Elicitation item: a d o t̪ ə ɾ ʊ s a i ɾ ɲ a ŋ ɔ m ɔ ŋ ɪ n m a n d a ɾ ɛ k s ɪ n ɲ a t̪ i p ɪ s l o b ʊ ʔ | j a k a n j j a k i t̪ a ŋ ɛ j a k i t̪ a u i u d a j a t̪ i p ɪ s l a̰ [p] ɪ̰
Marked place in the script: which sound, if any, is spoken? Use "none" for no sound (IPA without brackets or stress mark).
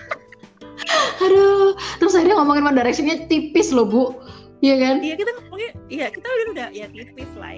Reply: none